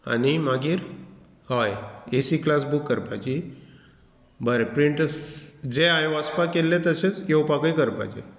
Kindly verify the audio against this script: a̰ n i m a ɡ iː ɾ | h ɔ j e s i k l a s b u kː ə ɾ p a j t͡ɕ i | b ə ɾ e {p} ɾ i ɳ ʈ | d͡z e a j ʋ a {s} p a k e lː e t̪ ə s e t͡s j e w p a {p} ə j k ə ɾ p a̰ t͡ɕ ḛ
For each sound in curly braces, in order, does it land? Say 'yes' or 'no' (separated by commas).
yes, yes, no